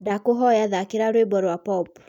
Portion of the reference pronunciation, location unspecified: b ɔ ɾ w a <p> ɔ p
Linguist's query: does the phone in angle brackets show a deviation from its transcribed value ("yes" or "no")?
no